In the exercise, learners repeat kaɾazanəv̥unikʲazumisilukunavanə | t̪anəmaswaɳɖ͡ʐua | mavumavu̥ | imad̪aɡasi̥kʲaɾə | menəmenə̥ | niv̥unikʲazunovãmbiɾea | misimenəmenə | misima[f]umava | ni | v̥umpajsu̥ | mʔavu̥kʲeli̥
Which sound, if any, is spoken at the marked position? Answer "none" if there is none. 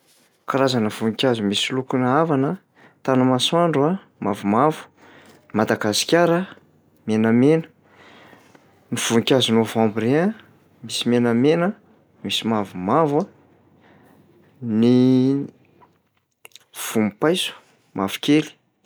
v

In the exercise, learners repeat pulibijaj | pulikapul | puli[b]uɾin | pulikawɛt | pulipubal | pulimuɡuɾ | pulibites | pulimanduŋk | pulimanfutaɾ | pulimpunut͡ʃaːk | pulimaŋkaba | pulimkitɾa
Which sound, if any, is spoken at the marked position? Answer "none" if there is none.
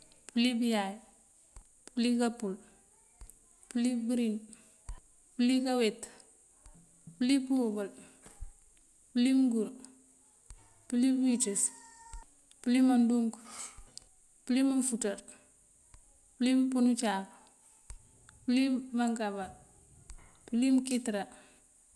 b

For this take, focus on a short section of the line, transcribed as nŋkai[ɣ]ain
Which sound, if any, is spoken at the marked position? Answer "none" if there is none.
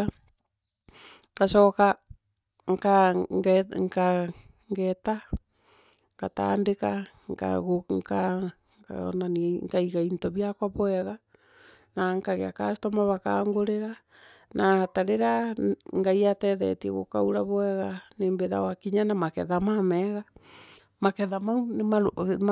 ɣ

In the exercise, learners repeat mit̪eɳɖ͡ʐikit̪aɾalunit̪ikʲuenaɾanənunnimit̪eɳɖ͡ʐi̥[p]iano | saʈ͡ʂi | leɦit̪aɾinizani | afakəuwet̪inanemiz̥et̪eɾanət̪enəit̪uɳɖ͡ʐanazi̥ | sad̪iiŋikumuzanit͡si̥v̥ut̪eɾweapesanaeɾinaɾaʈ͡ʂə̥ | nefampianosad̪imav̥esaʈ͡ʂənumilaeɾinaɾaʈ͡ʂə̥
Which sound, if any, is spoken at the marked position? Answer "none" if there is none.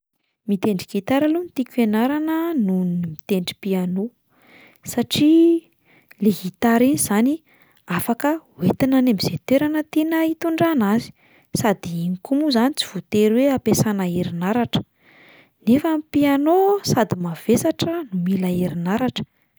p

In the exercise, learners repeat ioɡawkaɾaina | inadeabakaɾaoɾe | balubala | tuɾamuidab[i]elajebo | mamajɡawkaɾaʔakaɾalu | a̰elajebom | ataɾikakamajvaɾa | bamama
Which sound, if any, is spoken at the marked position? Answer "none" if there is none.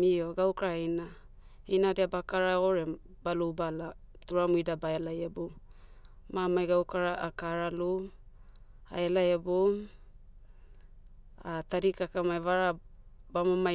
a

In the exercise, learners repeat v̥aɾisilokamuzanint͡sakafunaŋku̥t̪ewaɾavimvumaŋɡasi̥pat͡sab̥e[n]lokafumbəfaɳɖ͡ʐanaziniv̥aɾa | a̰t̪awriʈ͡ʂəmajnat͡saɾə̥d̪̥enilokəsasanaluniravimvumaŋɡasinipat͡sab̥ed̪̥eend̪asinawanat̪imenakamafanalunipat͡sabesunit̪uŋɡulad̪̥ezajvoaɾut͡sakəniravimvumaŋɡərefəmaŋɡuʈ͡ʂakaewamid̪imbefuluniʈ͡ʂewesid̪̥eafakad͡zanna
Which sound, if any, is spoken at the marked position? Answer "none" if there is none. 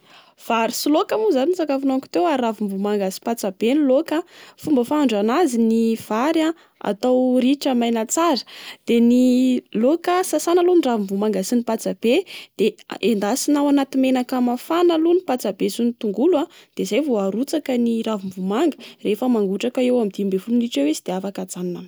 n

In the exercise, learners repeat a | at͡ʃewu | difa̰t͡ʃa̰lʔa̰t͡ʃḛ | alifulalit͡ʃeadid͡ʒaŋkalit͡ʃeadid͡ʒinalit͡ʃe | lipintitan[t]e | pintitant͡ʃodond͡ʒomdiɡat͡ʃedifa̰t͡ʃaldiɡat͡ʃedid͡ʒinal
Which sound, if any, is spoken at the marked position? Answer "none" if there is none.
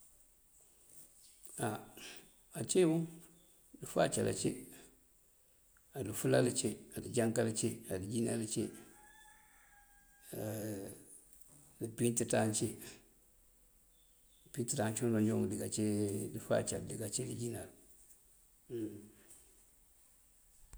t͡ʃ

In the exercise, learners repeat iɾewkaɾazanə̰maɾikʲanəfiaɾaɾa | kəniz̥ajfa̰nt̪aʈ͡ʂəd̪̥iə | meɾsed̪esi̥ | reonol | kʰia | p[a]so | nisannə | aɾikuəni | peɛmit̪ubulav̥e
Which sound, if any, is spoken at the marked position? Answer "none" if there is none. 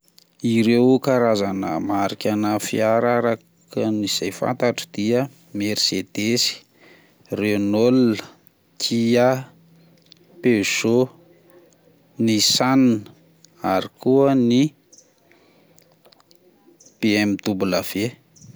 e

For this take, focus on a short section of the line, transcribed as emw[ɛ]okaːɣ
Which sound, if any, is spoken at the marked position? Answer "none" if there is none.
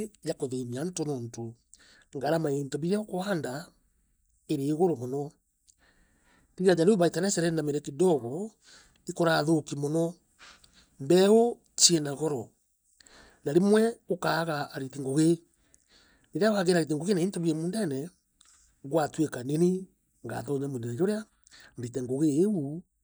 ɛ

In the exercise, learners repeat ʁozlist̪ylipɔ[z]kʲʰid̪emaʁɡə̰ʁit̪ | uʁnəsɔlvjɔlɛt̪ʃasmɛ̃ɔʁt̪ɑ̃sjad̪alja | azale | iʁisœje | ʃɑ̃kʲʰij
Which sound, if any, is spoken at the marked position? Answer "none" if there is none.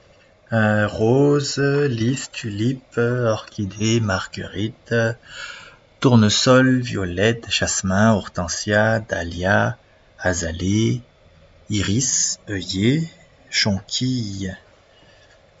ʁ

